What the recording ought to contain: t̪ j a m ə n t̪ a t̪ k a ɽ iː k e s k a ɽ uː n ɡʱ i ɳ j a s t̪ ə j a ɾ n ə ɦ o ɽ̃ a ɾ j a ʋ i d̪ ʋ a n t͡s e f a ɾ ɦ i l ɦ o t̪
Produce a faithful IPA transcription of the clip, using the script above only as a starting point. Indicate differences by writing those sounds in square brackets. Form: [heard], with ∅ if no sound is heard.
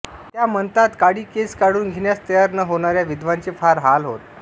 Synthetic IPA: t̪ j a m ə n t̪ a t̪ k a ɽ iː k e s k a ɽ uː n ɡʱ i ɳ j a s t̪ ə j a ɾ n ə ɦ o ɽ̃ a ɾ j a ʋ i d̪ ʋ a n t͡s e f a ɾ ɦ [a] l ɦ o t̪